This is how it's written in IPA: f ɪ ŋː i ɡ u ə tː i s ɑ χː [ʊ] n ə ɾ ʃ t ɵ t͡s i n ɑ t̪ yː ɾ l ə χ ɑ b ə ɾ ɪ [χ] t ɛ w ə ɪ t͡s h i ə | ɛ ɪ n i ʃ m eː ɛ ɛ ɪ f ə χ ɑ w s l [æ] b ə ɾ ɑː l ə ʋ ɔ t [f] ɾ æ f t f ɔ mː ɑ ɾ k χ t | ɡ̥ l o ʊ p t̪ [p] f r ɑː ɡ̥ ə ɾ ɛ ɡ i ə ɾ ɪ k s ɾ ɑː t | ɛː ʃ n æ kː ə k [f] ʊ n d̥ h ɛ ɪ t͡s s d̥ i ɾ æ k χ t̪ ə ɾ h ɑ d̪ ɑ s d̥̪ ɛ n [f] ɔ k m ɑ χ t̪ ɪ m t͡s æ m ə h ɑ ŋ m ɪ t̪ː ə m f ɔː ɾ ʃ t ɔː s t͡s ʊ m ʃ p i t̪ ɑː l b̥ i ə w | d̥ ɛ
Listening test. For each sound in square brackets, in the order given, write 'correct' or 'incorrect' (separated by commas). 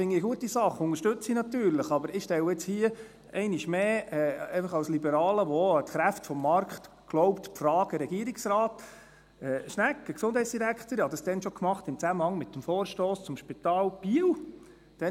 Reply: correct, incorrect, incorrect, incorrect, correct, incorrect, incorrect